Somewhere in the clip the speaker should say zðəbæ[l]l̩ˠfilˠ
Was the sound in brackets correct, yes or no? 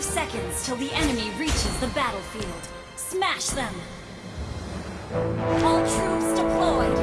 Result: no